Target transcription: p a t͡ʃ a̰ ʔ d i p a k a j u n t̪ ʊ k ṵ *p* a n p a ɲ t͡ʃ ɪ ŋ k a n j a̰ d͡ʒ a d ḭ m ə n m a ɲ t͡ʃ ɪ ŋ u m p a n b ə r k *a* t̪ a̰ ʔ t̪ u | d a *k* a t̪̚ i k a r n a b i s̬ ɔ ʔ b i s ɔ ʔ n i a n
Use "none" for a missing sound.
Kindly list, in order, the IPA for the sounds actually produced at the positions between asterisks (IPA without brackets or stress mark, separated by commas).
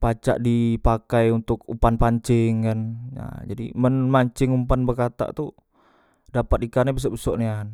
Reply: p, a, p